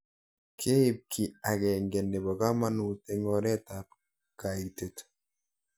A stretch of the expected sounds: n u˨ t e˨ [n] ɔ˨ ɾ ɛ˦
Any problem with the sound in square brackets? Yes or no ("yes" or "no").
yes